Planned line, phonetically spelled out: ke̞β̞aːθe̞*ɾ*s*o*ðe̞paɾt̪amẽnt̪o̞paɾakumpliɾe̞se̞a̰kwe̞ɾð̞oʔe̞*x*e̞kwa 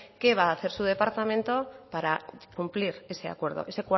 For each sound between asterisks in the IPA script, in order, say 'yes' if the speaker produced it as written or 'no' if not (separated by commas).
yes, no, no